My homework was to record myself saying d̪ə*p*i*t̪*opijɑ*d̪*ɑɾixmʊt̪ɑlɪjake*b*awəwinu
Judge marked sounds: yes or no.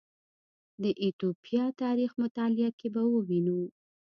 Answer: no, yes, no, yes

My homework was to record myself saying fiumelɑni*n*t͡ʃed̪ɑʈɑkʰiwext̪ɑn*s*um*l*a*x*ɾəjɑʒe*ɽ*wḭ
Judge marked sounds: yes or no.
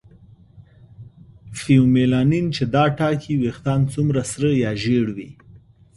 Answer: yes, no, no, no, yes

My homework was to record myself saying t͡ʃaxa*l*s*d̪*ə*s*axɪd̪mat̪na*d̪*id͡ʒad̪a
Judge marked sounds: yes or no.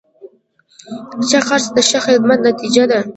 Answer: no, yes, no, no

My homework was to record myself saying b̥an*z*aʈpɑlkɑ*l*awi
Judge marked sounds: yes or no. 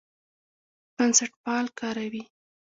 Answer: no, no

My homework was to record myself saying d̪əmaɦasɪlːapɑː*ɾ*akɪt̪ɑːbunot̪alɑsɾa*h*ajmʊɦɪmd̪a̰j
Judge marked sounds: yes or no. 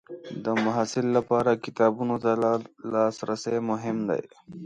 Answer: yes, no

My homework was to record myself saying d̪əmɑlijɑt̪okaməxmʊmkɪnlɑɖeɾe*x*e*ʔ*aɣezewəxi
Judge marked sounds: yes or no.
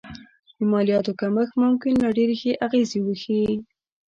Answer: yes, yes

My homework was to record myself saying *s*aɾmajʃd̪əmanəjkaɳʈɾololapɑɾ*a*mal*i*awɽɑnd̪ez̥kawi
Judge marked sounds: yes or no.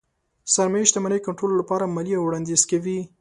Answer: yes, yes, yes

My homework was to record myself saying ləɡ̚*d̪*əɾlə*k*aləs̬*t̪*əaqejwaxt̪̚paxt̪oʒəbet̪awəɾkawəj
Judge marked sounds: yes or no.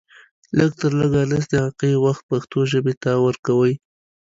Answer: no, no, no

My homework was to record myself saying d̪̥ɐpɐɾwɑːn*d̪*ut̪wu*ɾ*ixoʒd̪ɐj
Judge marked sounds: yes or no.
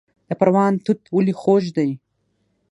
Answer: no, no

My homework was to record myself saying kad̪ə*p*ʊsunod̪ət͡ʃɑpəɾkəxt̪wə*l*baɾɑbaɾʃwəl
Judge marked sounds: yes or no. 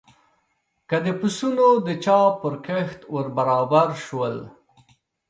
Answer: yes, no

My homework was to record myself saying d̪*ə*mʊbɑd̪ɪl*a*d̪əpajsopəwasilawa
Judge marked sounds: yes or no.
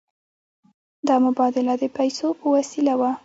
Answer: no, yes

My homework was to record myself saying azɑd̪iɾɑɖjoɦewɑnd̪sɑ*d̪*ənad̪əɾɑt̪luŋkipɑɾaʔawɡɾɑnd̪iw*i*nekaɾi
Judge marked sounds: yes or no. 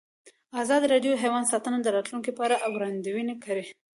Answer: no, yes

